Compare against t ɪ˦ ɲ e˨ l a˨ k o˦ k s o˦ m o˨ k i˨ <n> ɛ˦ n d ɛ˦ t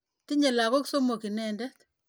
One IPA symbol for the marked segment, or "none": n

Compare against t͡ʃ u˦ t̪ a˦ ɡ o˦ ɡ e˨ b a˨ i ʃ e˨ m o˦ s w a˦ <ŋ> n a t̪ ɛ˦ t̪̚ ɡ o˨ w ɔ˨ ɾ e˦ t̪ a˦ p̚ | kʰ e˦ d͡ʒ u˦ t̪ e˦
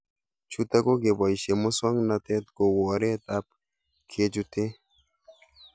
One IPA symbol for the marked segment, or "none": ŋ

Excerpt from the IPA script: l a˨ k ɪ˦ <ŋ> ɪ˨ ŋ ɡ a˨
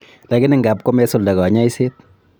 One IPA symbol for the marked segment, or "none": n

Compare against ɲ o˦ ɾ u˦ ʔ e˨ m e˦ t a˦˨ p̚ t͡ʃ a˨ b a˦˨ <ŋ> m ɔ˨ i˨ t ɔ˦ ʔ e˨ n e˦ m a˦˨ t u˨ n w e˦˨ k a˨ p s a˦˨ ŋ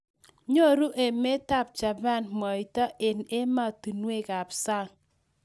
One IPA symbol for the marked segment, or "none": n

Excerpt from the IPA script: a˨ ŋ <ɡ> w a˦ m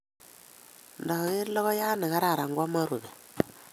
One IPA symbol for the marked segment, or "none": ɡ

